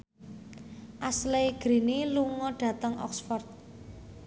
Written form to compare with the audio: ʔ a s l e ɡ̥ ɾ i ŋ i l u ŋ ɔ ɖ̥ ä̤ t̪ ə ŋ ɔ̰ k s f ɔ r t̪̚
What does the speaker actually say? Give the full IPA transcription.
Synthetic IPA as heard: ʔ a s l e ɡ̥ ɾ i n i l u ŋ ɔ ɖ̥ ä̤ t̪ ə ŋ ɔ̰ k s f ɔ r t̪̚